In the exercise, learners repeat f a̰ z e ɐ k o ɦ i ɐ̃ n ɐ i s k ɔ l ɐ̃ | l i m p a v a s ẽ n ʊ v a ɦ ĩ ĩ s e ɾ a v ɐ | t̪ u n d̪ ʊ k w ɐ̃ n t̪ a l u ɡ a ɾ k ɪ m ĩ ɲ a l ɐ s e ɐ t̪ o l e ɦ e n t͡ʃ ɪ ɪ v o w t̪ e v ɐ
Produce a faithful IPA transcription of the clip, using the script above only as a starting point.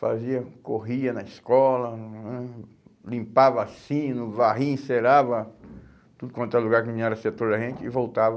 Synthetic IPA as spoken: f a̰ z i ɐ k o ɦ i ɐ n ɐ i s k ɔ l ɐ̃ | l ĩ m p a v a s ĩ n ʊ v a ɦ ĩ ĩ s e ɾ a v ɐ | t̪ u d̪ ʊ k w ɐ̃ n t̪ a l u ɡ a ɾ k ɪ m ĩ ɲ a ɾ ɐ s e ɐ t̪ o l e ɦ ẽ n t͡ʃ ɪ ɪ v o w t̪ a v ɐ

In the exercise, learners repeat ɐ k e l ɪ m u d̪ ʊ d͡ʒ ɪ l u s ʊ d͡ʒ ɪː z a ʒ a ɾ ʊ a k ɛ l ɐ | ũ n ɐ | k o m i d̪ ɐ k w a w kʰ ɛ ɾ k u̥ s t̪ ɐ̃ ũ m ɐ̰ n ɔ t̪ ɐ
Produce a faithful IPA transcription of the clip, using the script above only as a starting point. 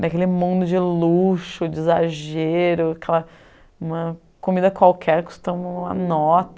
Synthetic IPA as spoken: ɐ k e l ɪ m ũ d̪ ʊ d͡ʒ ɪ l u ʃ ʊ d͡ʒ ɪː z a ʒ e ɾ ʊ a k ɛ l ɐ | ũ m ɐ | k o m i d̪ ɐ k w a w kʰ ɛ ɾ k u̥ s t̪ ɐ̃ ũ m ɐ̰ n ɔ t̪ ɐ

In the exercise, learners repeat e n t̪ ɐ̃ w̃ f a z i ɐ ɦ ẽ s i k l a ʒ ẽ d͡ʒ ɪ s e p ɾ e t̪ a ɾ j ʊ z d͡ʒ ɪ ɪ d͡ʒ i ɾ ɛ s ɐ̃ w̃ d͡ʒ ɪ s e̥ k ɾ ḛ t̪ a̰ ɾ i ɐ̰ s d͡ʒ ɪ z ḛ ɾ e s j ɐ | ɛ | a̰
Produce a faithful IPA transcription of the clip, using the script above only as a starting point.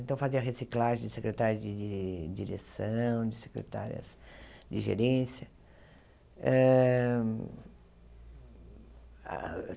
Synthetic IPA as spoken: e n t̪ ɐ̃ w̃ f a z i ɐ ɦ e s i k l a ʒ ẽ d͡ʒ ɪ s e k ɾ e t̪ a ɾ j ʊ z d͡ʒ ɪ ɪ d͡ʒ i ɾ e s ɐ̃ w̃ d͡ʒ ɪ s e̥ k ɾ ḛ t̪ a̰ ɾ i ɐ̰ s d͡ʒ ɪ ʒ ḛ ɾ ẽ s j ɐ | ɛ | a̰

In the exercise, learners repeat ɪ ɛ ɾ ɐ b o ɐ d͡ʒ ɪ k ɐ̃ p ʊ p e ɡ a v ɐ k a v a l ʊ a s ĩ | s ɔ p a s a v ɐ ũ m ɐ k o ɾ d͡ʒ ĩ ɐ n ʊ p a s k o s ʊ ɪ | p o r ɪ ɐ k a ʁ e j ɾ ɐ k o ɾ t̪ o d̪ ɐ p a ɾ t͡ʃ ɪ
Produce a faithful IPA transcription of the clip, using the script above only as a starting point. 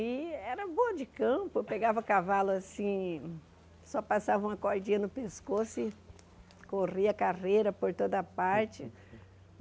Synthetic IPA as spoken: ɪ ɛ ɾ ɐ b o ɐ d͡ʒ ɪ k ɐ̃ p ʊ p e ɡ a v ɐ k a v a l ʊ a s ĩ | s ɔ p a s a v ɐ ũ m ɐ k o ɾ d͡ʒ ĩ ɐ n ʊ p e s k o s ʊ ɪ | k o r i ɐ k a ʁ e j ɾ ɐ p o ɾ t̪ o d̪ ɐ p a ɾ t͡ʃ ɪ

